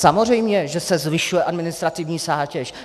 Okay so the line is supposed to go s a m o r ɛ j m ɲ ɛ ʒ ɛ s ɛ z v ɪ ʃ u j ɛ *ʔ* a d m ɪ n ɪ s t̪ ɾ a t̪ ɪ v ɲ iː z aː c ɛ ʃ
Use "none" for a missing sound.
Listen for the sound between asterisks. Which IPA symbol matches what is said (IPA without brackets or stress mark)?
ʔ